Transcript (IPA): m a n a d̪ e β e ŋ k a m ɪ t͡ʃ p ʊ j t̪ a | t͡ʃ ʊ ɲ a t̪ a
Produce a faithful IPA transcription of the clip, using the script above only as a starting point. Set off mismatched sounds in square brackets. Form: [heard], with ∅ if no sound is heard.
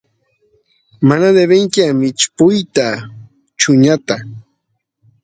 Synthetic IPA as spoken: m a n a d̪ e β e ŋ k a m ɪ t͡ʃ p ʊ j t̪ a | t͡ʃ ʊ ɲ a t̪ a